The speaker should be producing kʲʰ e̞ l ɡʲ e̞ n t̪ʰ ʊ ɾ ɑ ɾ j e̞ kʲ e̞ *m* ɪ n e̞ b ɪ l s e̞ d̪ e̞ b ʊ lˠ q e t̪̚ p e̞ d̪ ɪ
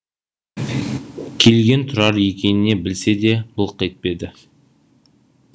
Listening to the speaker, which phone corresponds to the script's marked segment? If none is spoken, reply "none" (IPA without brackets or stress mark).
n